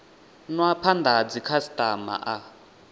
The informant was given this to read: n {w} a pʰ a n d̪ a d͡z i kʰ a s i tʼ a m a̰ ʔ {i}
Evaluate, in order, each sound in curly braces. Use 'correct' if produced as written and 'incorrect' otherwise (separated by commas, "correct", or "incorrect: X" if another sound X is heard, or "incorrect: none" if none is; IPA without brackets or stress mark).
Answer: correct, incorrect: a